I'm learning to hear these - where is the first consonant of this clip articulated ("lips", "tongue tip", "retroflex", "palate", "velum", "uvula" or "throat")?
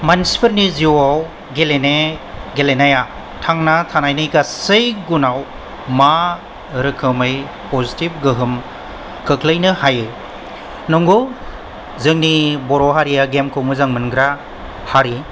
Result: lips